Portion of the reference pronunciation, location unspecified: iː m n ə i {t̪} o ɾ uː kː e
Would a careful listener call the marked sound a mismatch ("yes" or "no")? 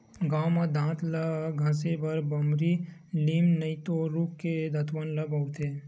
no